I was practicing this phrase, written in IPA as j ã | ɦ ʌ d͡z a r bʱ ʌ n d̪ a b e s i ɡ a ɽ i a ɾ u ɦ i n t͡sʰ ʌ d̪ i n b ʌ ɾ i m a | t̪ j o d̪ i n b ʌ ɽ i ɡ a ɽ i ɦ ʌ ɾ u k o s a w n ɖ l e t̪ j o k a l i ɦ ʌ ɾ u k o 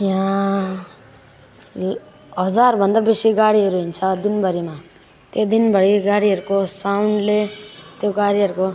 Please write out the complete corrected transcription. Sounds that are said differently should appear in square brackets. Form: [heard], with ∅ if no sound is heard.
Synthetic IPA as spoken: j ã | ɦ ʌ d͡z a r bʱ ʌ n d̪ a b e s i ɡ a ɽ i [ʌ] ɾ u ɦ i n t͡sʰ ʌ d̪ i n b ʌ ɾ i m a | t̪ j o d̪ i n b ʌ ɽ i ɡ a ɽ i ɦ ʌ ɾ u k o s a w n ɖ l e t̪ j o [ɡ] a [ɽ] i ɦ ʌ ɾ u k o